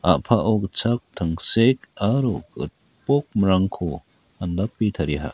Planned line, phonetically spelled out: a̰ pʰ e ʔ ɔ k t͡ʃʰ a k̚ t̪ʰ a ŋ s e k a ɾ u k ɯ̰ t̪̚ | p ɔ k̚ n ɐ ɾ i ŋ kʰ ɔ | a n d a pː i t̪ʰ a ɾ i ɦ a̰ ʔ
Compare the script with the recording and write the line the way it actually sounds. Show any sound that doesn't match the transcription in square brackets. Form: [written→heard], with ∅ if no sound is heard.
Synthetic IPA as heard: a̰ pʰ [e→a] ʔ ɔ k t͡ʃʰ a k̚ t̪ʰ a ŋ s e k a ɾ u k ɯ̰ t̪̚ | p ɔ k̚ [n→m] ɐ ɾ [i→a] ŋ kʰ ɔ | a n d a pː i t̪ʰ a ɾ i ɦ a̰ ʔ